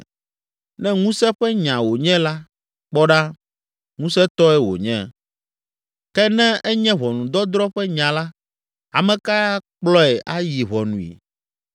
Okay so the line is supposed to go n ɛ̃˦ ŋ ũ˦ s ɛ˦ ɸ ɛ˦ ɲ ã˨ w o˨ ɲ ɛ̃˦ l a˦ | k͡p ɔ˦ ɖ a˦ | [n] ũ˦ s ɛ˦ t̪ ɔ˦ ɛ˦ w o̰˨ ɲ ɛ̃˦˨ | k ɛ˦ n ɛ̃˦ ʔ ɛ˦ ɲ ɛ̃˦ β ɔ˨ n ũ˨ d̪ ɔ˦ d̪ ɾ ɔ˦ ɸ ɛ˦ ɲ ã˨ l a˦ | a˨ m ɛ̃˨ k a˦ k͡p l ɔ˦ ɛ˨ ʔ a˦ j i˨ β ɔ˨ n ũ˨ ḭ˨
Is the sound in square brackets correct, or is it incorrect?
incorrect